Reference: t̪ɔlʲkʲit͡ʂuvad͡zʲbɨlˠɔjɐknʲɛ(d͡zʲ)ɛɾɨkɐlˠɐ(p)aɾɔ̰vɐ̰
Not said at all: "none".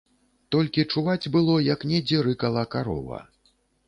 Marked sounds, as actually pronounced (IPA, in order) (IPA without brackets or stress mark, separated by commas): d͡zʲ, k